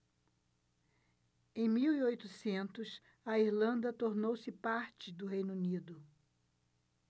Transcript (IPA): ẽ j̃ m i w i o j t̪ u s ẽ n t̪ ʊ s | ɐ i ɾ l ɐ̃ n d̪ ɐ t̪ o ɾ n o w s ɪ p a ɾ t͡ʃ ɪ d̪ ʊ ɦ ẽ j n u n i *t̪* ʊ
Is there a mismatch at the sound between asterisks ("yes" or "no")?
yes